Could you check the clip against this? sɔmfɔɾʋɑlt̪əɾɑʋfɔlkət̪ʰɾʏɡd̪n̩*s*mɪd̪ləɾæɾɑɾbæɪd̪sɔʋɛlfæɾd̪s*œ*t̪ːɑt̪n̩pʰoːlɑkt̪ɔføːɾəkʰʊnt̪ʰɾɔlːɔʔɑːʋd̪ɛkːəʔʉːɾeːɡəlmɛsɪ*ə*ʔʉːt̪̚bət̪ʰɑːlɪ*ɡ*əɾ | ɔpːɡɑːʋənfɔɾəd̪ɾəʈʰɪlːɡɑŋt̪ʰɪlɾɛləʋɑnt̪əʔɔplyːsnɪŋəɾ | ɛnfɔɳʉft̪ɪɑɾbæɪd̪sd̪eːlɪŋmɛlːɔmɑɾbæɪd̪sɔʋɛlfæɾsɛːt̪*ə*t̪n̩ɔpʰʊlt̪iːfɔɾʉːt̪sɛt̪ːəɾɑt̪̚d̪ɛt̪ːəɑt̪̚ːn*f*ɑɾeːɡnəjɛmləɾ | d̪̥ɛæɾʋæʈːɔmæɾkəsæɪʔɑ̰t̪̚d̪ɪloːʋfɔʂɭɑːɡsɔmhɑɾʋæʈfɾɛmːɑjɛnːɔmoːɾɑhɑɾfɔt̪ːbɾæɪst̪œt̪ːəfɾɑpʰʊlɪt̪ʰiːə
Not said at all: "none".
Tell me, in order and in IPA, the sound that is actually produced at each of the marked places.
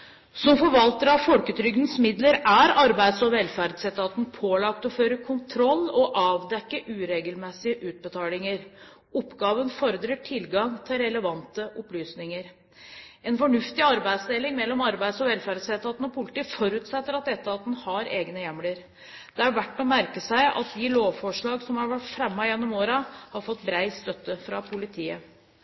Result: s, ɛ, ə, ŋ, ɑ, h

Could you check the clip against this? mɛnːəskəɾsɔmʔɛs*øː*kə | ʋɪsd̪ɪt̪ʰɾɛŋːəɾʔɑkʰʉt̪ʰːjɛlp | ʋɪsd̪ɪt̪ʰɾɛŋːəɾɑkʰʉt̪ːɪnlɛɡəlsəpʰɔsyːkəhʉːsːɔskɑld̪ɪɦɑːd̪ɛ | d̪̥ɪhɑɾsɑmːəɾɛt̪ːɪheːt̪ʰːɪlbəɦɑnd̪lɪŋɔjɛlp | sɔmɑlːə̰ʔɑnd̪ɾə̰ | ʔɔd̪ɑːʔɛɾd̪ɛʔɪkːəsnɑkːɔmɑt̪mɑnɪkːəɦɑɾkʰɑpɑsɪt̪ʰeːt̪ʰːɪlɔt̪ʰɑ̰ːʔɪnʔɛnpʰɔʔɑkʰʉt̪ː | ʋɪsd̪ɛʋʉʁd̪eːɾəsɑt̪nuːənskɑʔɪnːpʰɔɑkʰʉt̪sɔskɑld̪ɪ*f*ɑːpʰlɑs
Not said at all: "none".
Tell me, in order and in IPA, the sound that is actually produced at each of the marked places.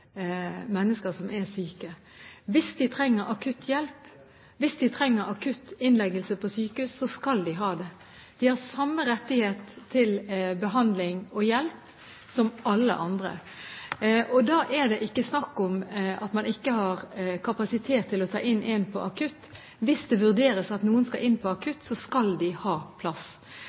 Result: yː, h

